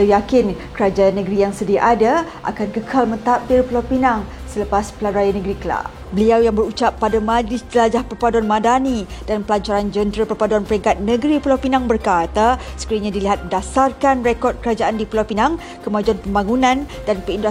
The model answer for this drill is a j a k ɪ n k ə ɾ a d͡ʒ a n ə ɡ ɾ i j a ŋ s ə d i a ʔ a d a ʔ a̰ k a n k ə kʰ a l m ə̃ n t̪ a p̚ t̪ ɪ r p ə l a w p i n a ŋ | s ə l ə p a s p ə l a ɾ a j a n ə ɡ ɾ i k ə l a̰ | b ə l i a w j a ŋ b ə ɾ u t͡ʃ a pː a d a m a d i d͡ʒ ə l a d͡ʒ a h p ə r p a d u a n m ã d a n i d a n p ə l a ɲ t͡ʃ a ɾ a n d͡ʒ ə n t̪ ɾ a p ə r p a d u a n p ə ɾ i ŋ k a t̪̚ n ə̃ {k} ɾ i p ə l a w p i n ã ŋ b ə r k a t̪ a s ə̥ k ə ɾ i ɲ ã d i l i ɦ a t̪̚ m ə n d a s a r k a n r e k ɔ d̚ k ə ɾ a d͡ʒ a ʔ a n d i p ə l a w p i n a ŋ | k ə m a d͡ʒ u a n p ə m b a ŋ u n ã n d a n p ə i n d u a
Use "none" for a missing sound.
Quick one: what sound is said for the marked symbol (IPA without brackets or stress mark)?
ɡ